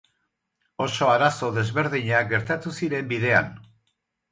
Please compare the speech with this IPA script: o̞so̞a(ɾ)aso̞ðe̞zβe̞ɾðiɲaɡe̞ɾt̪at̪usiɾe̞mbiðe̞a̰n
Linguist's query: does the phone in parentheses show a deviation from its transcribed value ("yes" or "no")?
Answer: no